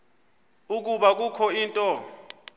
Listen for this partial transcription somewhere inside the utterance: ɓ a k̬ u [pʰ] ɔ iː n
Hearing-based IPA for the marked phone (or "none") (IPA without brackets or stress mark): kʰ